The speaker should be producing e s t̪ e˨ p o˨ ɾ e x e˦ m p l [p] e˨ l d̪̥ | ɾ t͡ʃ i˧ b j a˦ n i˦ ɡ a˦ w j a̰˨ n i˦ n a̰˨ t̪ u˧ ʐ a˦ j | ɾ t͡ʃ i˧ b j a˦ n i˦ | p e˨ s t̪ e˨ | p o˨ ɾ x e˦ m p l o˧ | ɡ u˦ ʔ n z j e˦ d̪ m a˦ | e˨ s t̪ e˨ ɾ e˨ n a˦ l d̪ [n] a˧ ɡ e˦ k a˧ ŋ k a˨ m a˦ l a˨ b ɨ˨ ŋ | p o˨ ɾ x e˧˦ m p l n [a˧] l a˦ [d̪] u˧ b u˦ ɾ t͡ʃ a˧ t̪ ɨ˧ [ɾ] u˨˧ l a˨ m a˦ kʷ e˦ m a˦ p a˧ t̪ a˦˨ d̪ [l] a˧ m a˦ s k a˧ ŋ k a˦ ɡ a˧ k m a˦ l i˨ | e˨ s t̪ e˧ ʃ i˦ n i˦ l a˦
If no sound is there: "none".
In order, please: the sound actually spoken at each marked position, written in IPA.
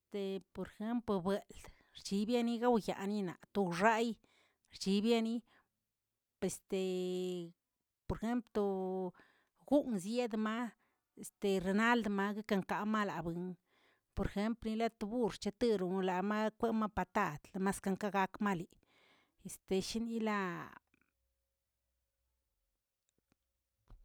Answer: b, m, i˧, t̪, ɾ, l

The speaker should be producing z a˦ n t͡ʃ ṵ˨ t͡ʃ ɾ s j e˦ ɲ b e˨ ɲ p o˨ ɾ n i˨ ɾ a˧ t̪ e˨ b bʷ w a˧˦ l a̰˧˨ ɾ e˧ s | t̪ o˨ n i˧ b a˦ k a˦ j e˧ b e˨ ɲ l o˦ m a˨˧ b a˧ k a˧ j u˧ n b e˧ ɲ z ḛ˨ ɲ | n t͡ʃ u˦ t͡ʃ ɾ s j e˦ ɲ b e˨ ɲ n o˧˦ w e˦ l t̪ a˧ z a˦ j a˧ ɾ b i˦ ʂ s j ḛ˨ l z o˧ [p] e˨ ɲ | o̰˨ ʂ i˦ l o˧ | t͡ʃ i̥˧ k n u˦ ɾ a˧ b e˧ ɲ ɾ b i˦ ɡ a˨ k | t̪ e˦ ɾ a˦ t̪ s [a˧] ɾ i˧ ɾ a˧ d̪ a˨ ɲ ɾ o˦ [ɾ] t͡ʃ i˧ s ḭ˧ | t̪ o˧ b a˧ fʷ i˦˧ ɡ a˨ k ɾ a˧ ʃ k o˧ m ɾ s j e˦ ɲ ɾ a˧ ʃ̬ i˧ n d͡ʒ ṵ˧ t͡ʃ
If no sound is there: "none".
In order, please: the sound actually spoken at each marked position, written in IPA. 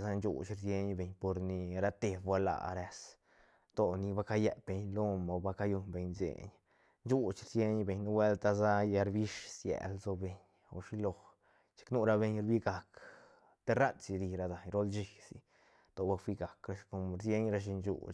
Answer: b, i˧, l

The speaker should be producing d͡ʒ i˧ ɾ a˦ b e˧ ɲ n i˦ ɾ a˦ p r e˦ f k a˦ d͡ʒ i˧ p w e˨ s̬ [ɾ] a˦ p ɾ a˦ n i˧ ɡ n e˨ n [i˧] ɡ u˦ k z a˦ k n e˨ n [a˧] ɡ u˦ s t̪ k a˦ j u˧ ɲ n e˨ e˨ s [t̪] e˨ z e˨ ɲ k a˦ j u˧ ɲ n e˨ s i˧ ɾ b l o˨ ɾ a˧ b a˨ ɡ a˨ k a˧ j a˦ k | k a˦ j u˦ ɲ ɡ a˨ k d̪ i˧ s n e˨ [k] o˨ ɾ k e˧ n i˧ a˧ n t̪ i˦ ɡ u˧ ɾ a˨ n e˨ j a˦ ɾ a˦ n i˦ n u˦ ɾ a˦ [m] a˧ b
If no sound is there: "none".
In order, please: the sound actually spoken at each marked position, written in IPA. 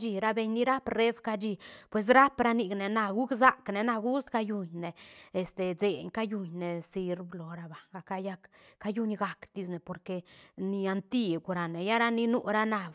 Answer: ɾ, a˧, a˧, t̪, p, n

